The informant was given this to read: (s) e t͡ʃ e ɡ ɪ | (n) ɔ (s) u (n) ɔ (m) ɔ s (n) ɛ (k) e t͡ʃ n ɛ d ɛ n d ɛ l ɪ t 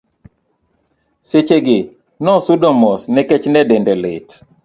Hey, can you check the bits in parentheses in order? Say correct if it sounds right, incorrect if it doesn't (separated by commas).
correct, correct, correct, incorrect, correct, correct, correct